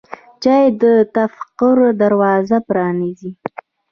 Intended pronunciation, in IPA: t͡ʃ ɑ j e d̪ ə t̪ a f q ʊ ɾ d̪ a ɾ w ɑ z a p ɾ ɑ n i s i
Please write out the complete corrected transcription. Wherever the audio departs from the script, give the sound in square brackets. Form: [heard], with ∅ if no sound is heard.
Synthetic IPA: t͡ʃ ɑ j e d̪ ə t̪ a f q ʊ ɾ d̪ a ɾ w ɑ z a p ɾ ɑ n i [z] i